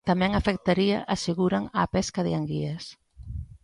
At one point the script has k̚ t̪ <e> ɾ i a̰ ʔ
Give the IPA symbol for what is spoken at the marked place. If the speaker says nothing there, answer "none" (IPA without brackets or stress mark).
a